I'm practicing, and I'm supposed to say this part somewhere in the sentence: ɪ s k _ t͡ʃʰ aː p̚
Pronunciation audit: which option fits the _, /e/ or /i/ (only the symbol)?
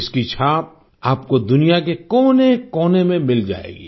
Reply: i